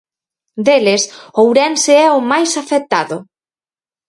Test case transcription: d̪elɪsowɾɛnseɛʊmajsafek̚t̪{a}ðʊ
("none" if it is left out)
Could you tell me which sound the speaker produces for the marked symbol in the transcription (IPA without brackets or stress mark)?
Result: a